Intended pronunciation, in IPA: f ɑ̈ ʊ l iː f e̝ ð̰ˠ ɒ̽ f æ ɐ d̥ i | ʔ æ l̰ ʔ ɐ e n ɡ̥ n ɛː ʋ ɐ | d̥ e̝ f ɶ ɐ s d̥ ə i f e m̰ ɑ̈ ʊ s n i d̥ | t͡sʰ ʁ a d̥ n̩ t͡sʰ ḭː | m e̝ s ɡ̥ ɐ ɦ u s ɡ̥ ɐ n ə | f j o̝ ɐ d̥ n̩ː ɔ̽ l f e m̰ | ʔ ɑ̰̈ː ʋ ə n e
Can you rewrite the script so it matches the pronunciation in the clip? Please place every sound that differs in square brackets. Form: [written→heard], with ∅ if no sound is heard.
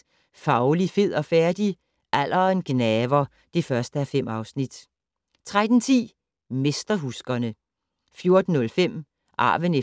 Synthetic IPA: f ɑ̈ ʊ l [iː→i] f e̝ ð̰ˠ ɒ̽ f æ ɐ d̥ i | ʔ æ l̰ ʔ ɐ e n ɡ̥ n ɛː ʋ ɐ | d̥ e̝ f ɶ ɐ s d̥ ə [i→æ] f e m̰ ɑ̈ ʊ s n i d̥ | t͡sʰ ʁ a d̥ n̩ t͡sʰ ḭː | m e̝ s [ɡ̥→d̥] ɐ ɦ u s ɡ̥ ɐ n ə | f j o̝ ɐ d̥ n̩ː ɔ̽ l f e m̰ | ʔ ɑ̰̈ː ʋ ə n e